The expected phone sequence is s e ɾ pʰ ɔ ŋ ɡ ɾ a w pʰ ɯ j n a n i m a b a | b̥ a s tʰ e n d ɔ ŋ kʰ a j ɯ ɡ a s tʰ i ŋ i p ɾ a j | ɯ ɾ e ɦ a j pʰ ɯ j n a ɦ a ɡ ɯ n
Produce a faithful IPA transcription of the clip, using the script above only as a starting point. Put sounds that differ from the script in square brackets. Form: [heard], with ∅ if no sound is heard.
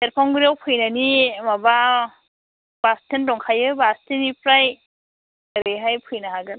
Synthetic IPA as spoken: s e ɾ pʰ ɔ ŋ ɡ ɾ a w pʰ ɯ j n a n i m a b a | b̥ a s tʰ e n d ɔ ŋ kʰ a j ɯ [b] a s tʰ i [n] i p ɾ a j | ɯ ɾ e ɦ a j pʰ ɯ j n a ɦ a ɡ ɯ n

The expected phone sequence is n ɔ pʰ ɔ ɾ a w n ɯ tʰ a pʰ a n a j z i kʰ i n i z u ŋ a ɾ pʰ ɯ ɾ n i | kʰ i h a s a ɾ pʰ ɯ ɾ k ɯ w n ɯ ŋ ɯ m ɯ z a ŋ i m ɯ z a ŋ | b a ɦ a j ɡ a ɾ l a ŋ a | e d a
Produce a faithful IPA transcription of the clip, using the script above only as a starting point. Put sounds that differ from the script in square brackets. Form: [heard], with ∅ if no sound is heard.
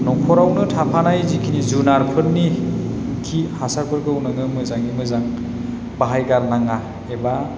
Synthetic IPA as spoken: n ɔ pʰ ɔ ɾ a w n ɯ tʰ a pʰ a n a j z i kʰ i n i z u [n] a ɾ pʰ ɯ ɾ n i | kʰ i h a s a ɾ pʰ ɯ ɾ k ɯ w n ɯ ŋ ɯ m ɯ z a ŋ i m ɯ z a ŋ | b a ɦ a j ɡ a ɾ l a ŋ a | e [b] a

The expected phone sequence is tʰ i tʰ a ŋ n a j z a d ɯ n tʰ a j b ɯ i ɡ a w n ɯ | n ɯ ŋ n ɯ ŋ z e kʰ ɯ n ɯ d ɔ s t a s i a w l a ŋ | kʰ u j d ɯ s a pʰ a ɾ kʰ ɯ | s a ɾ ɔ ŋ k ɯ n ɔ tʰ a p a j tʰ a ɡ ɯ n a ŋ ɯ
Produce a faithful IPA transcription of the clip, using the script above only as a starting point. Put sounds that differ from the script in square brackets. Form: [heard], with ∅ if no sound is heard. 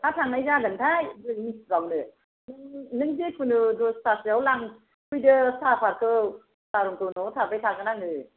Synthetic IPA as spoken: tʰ [a] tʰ a ŋ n a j z a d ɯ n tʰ a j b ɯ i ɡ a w n ɯ | n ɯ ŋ n ɯ ŋ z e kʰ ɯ n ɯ d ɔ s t a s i a w l a ŋ | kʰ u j d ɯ s a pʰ a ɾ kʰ ɯ | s a ɾ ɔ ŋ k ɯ n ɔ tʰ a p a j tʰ a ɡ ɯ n a ŋ ɯ

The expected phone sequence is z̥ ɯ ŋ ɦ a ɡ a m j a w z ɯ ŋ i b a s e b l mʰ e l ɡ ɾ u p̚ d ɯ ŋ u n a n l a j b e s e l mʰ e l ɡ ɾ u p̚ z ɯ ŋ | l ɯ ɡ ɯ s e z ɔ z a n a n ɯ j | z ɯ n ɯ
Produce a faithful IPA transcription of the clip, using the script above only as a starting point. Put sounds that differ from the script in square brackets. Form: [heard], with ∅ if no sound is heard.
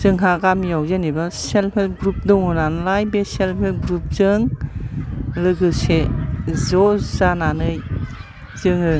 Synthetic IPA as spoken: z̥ ɯ ŋ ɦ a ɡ a m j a w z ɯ [n] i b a s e [∅] l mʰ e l ɡ ɾ u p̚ d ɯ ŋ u n a n l a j b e s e l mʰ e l ɡ ɾ u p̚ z ɯ ŋ | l ɯ ɡ ɯ s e z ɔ z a n a n ɯ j | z ɯ [ŋ] ɯ

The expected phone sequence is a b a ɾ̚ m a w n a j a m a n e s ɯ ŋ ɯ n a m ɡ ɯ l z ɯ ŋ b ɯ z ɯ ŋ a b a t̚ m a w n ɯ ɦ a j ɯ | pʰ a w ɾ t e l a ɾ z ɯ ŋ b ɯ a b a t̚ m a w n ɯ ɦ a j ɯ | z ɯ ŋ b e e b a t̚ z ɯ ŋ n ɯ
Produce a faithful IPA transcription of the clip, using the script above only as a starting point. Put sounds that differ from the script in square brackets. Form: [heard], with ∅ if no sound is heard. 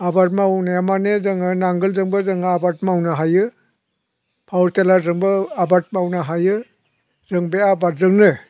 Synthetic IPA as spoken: a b a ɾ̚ m a w n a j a m a n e [z] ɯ ŋ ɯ n a [ŋ] ɡ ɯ l z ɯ ŋ b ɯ z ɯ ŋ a b a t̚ m a w n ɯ ɦ a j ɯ | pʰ a w ɾ t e l a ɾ z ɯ ŋ b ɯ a b a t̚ m a w n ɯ ɦ a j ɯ | z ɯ ŋ b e [a] b a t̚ z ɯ ŋ n ɯ

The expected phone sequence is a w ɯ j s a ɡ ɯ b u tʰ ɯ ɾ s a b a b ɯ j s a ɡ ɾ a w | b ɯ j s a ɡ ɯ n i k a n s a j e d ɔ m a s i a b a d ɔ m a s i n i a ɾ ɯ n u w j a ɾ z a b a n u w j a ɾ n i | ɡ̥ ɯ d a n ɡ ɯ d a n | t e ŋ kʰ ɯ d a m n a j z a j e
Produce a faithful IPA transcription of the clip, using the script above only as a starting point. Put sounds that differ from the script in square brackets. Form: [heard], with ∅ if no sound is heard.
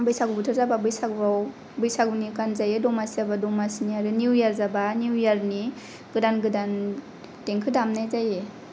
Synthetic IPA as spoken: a [b] ɯ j s a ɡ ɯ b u tʰ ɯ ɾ [z] a b a b ɯ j s a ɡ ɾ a w | b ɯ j s a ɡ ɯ n i k a n [z] a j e d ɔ m a s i a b a d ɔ m a s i n i a ɾ ɯ n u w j a ɾ z a b a n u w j a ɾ n i | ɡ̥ ɯ d a n ɡ ɯ d a n | t e ŋ kʰ ɯ d a m n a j z a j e

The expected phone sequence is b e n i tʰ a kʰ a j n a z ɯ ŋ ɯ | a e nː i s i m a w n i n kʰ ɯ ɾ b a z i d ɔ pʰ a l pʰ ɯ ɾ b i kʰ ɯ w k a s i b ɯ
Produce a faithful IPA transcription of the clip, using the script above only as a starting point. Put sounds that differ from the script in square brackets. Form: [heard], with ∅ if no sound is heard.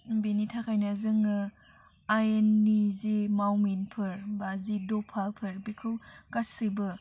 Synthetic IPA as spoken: b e n i tʰ a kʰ a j n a z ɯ ŋ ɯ | a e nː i [z] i m a w [m] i n [pʰ] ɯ ɾ b a z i d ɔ pʰ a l pʰ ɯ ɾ b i kʰ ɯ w k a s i b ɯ

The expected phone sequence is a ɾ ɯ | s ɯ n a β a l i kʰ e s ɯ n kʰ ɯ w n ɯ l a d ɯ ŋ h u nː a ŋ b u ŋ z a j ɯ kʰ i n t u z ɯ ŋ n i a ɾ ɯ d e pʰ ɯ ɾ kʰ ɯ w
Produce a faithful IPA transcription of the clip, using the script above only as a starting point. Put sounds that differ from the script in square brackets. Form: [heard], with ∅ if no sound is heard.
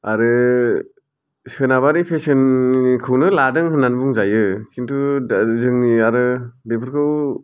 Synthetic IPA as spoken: a ɾ ɯ | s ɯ n a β a [ɾ] i [pʰ] e s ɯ n kʰ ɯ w n ɯ l a d ɯ ŋ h [ɯ] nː a [n] b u ŋ z a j ɯ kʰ i n t u z ɯ ŋ n i a ɾ ɯ d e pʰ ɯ ɾ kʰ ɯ w

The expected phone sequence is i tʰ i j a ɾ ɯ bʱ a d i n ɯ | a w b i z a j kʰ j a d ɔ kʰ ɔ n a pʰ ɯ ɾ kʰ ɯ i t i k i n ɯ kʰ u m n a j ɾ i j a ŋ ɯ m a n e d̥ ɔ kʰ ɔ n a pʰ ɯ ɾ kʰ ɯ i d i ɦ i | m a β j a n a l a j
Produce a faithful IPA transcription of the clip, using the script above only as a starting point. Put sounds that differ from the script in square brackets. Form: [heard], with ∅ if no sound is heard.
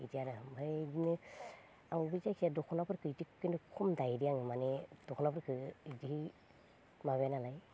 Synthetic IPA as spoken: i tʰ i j a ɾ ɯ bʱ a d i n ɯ | a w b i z a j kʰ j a d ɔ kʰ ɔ n a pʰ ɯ ɾ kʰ ɯ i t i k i n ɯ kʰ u m [d] a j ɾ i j a ŋ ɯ m a n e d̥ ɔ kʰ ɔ n a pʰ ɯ ɾ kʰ ɯ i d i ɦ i | m a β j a n a l a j

